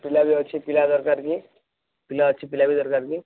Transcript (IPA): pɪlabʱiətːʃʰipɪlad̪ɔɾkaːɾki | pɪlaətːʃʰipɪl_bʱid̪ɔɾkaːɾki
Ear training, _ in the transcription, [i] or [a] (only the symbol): a